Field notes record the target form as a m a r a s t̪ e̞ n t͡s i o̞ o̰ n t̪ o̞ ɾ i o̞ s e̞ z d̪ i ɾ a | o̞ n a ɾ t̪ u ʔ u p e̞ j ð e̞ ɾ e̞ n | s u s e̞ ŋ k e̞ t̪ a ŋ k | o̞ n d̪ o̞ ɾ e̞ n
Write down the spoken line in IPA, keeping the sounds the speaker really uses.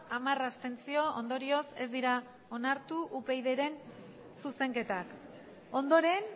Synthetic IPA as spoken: a m a r a s t̪ e̞ n t͡s i o̞ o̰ n d̪ o̞ ɾ i o̞ s e̞ z d̪ i ɾ a | o̞ n a ɾ t̪ u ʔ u p e̞ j ð e̞ ɾ e̞ n | s u s e̞ ŋ k e̞ t̪ a k | o̞ n d̪ o̞ ɾ e̞ n